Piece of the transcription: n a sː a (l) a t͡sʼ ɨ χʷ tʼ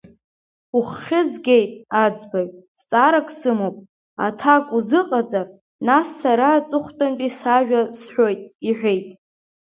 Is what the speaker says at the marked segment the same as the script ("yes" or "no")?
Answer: no